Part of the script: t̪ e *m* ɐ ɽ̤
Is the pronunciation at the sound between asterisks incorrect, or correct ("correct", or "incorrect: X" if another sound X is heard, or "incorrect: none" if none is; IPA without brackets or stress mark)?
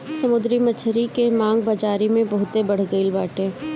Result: incorrect: b